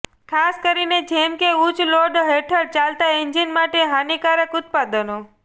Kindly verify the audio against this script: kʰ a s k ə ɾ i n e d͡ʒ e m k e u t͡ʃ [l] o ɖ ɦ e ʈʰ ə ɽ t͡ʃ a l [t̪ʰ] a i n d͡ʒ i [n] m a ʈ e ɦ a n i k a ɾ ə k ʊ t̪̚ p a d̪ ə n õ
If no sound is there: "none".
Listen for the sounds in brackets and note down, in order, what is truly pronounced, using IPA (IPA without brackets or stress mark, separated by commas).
l, t̪, n